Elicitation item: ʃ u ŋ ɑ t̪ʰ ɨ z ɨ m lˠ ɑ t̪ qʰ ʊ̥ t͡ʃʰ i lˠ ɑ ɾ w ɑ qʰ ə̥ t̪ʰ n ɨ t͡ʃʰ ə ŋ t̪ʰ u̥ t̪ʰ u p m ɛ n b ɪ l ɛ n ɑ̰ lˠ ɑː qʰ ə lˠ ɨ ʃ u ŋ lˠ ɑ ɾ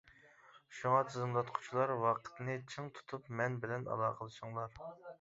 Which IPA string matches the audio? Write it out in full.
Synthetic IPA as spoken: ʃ u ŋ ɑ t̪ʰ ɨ z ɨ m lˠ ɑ t̪ qʰ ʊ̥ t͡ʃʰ i lˠ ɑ ɾ w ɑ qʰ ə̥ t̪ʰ n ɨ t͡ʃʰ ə ŋ t̪ʰ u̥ t̪ʰ u p m ɛ n b ɪ l ɛ n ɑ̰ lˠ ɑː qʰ ə lˠ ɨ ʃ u ŋ lˠ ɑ ɾ